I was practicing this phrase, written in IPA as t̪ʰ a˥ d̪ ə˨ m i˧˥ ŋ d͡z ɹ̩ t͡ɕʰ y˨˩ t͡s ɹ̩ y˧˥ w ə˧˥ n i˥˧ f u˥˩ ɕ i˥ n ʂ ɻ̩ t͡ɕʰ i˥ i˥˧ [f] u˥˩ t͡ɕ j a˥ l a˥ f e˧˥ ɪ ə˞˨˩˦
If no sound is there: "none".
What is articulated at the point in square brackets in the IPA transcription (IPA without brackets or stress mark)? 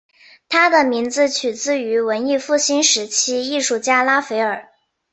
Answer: ʂ